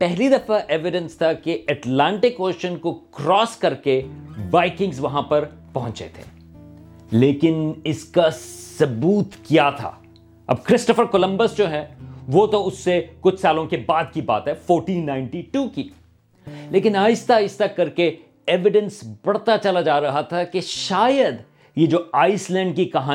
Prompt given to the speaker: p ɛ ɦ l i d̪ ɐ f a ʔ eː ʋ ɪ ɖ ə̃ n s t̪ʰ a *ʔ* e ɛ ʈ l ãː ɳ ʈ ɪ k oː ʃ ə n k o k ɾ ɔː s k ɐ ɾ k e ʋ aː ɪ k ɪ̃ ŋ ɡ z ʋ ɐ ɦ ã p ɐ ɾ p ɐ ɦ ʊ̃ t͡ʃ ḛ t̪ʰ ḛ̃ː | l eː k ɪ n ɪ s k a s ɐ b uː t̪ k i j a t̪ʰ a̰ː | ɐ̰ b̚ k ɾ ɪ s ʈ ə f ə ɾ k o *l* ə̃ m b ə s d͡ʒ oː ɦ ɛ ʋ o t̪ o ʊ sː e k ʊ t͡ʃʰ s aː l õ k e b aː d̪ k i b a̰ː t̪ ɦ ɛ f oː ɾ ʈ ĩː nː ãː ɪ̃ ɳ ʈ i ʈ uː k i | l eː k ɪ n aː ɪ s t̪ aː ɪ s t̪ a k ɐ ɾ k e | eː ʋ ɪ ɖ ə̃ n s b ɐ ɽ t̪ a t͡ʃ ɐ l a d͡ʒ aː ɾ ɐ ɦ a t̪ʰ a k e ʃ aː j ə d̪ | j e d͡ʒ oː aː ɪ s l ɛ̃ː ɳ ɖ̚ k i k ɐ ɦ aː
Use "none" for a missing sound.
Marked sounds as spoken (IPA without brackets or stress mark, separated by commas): k, l